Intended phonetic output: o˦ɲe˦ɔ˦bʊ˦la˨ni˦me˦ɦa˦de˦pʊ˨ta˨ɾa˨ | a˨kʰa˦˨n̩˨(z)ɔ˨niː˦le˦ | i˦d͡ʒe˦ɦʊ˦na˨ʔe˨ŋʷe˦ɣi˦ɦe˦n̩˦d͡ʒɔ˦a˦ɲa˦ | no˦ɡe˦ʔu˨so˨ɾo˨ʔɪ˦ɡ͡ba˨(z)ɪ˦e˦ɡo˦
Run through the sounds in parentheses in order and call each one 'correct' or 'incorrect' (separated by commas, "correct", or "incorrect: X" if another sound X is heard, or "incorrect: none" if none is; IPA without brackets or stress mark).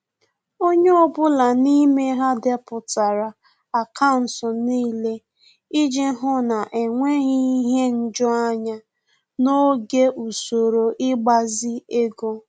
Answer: incorrect: s, correct